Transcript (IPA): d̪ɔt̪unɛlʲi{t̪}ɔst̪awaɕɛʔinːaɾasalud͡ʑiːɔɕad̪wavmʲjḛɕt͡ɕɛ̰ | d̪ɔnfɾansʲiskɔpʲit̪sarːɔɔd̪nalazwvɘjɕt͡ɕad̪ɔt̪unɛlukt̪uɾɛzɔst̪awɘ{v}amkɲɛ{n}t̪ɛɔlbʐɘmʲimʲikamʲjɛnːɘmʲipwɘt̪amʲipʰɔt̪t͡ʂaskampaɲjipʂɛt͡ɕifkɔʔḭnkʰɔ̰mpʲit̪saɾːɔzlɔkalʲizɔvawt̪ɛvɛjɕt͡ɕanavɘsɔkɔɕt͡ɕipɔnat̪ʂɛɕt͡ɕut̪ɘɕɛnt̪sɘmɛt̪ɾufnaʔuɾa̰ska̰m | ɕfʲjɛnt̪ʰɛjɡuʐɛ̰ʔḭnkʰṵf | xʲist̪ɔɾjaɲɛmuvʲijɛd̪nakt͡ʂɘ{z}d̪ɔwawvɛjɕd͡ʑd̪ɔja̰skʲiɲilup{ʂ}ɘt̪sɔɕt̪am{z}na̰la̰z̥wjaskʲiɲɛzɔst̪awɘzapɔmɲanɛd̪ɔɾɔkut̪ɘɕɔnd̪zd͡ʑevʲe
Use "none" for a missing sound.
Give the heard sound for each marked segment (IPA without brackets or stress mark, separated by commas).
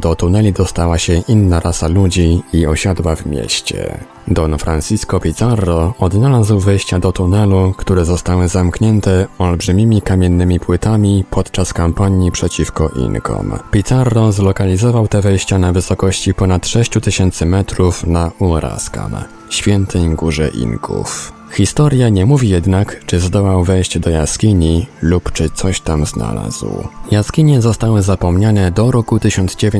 d̪, z, n, z, t͡ʂ, z